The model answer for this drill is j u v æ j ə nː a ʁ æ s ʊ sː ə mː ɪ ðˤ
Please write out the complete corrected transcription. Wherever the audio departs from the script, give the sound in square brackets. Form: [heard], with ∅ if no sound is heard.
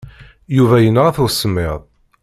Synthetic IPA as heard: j u v æ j ə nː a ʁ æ [θ] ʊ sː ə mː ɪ ðˤ